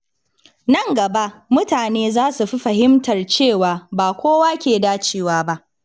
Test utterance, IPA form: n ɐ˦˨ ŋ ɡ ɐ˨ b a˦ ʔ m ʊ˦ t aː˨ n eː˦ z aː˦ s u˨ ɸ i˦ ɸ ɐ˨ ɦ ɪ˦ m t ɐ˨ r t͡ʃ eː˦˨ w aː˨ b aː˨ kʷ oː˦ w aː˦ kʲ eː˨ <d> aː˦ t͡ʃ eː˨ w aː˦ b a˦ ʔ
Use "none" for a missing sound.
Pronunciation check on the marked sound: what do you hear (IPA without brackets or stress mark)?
d